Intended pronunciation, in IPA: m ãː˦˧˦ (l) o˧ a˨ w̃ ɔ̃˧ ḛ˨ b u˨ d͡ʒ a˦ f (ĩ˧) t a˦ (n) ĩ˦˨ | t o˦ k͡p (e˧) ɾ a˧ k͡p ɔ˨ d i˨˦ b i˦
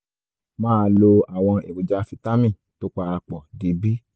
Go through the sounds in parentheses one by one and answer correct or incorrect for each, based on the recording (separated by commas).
correct, incorrect, incorrect, incorrect